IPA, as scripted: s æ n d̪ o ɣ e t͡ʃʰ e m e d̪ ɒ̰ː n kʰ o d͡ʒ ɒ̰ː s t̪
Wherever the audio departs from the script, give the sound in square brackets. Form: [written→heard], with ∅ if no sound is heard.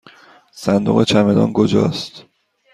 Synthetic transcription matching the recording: s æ n d̪ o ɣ e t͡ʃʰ [e→æ] m e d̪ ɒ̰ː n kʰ o d͡ʒ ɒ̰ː s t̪